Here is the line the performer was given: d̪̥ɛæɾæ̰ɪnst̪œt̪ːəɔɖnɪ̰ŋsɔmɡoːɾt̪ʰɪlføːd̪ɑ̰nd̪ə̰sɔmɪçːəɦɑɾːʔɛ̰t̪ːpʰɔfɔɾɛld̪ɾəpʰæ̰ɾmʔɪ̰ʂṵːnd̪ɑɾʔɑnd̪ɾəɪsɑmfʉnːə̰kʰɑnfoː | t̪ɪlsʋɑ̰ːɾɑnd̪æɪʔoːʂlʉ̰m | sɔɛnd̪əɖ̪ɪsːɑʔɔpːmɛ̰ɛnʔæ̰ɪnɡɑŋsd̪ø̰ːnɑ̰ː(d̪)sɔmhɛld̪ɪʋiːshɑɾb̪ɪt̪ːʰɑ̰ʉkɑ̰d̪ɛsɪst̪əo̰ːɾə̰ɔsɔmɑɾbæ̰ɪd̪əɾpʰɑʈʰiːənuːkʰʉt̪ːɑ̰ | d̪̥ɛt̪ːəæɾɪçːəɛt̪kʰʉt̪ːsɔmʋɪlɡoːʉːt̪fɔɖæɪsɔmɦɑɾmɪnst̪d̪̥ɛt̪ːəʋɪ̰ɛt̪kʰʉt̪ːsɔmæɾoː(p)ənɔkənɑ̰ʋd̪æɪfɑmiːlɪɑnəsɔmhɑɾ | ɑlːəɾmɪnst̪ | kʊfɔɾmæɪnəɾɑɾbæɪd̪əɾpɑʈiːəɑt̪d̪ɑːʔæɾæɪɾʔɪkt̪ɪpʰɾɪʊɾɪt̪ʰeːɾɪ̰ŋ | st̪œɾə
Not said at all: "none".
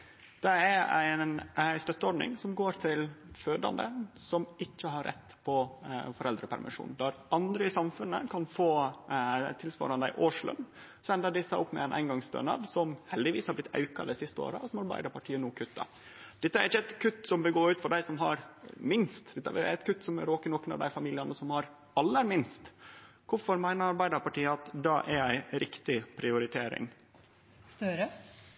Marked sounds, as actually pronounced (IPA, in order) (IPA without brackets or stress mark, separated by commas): d̪, k